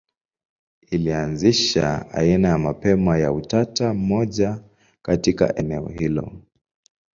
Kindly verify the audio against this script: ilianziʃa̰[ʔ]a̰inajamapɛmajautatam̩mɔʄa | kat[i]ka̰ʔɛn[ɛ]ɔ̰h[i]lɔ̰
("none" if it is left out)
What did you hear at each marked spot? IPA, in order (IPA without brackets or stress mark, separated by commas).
none, i, ɛ, i